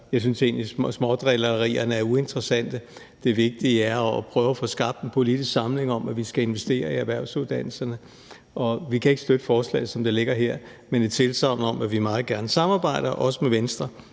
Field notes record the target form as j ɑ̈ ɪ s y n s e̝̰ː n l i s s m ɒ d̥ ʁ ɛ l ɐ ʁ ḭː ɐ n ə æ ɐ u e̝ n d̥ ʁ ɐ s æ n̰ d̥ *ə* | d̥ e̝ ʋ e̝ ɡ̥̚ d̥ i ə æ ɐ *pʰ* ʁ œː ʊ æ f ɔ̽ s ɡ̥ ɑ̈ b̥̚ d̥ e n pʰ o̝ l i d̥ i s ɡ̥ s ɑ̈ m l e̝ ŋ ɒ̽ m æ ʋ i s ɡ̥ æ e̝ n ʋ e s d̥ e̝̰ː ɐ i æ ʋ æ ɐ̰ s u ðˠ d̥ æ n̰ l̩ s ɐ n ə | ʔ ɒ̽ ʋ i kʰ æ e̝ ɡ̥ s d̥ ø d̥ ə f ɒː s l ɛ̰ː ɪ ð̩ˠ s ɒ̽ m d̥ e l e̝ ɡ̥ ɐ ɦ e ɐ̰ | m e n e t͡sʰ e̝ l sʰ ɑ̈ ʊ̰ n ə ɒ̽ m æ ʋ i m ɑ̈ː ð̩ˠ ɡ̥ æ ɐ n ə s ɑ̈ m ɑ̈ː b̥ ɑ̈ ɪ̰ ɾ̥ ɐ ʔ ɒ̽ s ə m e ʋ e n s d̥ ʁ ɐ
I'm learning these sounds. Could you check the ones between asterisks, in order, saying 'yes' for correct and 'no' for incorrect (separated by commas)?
yes, yes